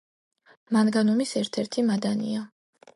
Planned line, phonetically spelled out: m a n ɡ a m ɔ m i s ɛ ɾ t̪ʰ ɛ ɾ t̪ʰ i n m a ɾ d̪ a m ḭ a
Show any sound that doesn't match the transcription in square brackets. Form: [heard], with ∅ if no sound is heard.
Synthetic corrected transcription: m a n ɡ a [n] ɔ m i s ɛ ɾ t̪ʰ ɛ ɾ t̪ʰ i [∅] m a [∅] d̪ a [n] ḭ a

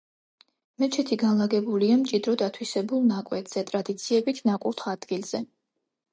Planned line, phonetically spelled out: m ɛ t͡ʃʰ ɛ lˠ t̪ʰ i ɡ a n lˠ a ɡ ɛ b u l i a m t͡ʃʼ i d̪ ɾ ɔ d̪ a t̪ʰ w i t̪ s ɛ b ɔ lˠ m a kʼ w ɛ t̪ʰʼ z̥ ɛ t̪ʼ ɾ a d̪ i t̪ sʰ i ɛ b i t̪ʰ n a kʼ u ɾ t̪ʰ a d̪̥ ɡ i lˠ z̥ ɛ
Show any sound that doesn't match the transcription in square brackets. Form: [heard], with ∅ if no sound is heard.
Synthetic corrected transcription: m ɛ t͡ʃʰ ɛ [∅] t̪ʰ i ɡ a n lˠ a ɡ ɛ b u l i a m t͡ʃʼ i d̪ ɾ ɔ d̪ a t̪ʰ w i [∅] s ɛ b [u] lˠ [n] a kʼ w ɛ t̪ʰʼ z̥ ɛ t̪ʼ ɾ a d̪ i t̪ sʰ i ɛ b i t̪ʰ n a kʼ u ɾ t̪ʰ a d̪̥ ɡ i lˠ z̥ ɛ

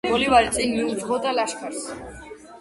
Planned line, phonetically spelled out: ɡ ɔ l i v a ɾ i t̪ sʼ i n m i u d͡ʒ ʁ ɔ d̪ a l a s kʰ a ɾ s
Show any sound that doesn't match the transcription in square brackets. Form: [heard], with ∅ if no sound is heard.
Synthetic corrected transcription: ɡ ɔ l i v a ɾ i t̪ sʼ i n m i u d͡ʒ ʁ ɔ d̪ a l a [ʃ] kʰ a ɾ s

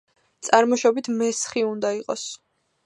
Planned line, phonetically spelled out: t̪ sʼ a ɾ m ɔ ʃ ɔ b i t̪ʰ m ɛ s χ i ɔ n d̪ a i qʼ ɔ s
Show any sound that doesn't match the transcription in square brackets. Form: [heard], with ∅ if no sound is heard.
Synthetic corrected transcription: t̪ sʼ a ɾ m ɔ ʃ ɔ b i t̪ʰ m ɛ s χ i [u] n d̪ a i qʼ ɔ s

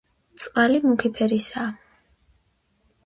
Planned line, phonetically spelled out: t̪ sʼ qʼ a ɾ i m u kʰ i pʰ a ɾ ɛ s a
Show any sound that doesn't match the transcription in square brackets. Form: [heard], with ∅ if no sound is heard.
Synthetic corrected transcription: t̪ sʼ qʼ a [l] i m u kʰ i pʰ [ɛ] ɾ [i] s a

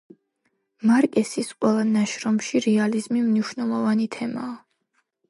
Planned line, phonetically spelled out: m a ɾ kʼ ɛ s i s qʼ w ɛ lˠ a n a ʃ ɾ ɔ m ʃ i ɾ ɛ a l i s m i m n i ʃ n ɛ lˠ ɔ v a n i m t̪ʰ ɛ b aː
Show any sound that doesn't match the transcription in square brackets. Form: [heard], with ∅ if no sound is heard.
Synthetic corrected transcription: m a ɾ kʼ ɛ s i s qʼ w ɛ lˠ a n a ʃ ɾ ɔ m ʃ i ɾ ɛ a l i [z] m i m n i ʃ n ɛ lˠ ɔ v a n i [∅] t̪ʰ ɛ [m] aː

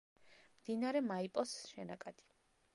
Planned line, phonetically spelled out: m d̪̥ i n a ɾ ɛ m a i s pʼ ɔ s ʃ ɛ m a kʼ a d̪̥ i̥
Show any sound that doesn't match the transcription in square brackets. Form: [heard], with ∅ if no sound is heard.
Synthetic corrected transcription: m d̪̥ i n a ɾ ɛ m a i [∅] pʼ ɔ s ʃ ɛ [n] a kʼ a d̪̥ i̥

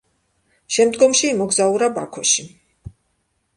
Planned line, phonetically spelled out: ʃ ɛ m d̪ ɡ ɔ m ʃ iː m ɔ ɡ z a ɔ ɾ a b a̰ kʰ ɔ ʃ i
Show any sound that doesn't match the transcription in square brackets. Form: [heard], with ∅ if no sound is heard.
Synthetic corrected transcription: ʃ ɛ m d̪ ɡ ɔ m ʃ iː m ɔ ɡ z a [u] ɾ a b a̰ kʰ ɔ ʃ i

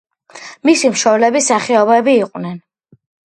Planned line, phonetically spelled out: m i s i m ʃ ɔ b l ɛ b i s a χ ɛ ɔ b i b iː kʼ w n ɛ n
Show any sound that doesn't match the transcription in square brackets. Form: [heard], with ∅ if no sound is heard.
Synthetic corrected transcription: m i s i m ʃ ɔ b l ɛ b i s a χ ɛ ɔ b [ɛ] b iː [qʼ] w n ɛ n

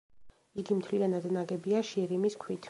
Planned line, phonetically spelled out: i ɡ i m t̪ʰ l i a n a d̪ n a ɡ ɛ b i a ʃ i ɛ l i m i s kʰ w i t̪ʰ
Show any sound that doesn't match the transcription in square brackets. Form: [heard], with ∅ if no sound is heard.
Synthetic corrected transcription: i ɡ i m t̪ʰ l i a n a d̪ n a ɡ ɛ b i a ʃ i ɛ [ɾ] i m i s kʰ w i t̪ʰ

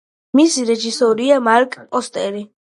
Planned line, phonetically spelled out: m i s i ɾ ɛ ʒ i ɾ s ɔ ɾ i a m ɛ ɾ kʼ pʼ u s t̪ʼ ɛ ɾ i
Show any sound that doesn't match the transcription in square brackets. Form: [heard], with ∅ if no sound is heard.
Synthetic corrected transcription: m i s i ɾ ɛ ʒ i [∅] s ɔ ɾ i a m [a] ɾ kʼ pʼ [ɔ] s t̪ʼ ɛ ɾ i

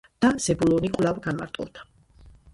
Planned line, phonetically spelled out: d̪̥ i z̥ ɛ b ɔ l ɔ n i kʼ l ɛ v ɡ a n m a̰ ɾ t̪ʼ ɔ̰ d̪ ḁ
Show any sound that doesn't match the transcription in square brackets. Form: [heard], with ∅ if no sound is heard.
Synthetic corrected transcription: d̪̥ [a] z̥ ɛ b [u] l ɔ n i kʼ l [a] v ɡ a n m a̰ ɾ t̪ʼ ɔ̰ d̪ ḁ

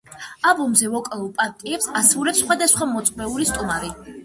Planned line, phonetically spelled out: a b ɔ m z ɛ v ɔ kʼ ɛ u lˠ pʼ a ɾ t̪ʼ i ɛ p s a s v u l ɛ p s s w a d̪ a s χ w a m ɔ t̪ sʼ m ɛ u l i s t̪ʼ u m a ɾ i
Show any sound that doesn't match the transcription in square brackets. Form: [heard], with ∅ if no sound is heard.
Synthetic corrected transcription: a b ɔ m z ɛ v ɔ kʼ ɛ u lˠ pʼ a ɾ t̪ʼ i ɛ p s a s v u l ɛ p s [χ] w a d̪ a s χ w a m ɔ t̪ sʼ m ɛ u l i s t̪ʼ u m a ɾ i

